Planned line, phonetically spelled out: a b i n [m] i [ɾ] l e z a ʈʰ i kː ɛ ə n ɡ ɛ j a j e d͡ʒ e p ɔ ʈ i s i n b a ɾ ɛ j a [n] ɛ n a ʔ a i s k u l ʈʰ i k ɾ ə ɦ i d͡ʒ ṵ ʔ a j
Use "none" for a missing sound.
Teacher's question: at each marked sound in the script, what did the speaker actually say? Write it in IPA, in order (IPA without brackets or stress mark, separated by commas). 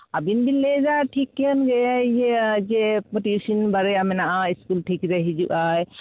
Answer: b, none, m